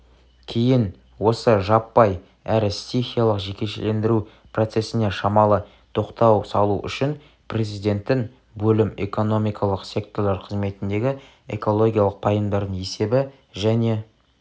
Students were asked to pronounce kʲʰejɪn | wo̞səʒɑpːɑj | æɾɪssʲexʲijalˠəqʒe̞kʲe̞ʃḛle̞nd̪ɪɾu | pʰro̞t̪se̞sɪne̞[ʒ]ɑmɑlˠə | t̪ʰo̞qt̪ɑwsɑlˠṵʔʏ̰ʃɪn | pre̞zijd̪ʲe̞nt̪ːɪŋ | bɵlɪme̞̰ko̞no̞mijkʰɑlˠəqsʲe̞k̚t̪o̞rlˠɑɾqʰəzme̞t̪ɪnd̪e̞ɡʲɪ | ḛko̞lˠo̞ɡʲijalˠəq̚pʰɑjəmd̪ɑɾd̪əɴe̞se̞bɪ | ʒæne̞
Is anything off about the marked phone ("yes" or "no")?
yes